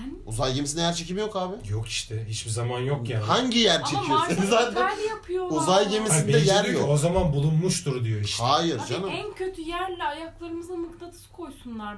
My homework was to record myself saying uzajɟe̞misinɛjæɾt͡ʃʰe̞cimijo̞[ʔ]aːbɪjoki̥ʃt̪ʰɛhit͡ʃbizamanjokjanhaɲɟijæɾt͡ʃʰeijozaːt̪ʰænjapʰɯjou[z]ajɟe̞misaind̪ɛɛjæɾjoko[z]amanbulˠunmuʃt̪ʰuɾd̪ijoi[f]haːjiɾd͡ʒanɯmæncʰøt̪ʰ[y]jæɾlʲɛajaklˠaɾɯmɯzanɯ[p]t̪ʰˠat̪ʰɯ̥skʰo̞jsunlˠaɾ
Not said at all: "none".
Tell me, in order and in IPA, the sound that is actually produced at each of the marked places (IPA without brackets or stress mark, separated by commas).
k, z, z, ʃ, y, k